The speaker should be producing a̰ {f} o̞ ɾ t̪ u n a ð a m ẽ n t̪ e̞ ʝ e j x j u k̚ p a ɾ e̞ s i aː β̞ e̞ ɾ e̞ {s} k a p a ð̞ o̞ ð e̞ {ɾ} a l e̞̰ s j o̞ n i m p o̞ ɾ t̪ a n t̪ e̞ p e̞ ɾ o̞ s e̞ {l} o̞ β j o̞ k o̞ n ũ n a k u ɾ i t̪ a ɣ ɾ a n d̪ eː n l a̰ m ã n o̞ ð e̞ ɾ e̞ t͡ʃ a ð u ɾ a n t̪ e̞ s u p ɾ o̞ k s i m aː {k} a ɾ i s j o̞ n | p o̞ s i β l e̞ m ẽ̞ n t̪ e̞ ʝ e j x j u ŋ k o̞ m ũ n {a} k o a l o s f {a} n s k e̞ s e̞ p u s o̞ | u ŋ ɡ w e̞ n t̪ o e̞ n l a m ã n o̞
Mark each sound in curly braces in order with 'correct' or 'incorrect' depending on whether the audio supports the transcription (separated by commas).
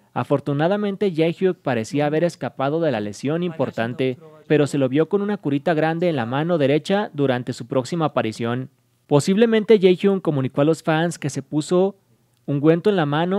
correct, correct, incorrect, correct, incorrect, incorrect, correct